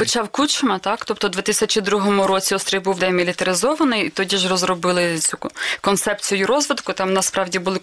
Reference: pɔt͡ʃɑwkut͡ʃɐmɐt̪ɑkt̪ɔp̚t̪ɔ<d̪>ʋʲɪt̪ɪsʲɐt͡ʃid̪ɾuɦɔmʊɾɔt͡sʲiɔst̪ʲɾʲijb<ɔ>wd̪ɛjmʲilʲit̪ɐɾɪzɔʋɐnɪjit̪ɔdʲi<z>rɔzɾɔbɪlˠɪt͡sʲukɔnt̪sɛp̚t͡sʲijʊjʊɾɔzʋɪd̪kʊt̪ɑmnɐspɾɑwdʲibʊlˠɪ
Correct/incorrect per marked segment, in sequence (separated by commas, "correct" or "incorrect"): correct, incorrect, incorrect